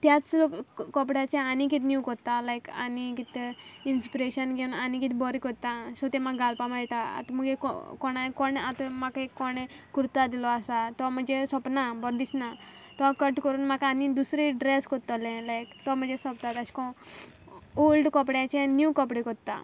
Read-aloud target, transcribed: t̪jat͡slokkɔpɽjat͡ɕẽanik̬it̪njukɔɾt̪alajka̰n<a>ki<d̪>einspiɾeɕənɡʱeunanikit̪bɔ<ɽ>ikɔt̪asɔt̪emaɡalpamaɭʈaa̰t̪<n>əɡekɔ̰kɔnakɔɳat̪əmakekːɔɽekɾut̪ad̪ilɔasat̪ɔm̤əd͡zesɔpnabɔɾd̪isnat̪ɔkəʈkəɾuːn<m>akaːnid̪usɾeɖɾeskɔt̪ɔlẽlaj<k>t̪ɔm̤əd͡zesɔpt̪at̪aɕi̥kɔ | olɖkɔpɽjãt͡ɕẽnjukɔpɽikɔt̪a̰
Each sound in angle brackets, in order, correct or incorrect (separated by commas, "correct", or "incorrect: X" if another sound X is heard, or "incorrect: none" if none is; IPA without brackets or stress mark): incorrect: i, incorrect: t̪, incorrect: ɾ, incorrect: m, correct, correct